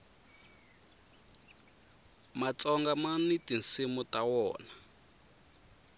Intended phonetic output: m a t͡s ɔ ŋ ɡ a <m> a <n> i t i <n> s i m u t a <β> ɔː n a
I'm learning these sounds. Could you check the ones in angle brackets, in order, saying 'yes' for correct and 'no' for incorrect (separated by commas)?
yes, yes, yes, no